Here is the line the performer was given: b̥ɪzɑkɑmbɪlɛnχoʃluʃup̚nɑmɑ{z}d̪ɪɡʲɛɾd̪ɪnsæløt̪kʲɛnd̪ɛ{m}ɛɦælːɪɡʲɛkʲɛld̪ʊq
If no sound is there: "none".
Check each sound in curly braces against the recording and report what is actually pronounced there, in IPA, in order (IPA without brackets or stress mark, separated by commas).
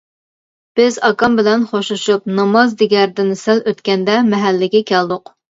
z, m